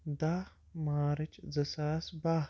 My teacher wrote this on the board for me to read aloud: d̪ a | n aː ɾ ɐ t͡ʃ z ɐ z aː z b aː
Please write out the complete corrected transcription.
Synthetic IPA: d̪ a | m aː ɾ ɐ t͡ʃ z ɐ s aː s b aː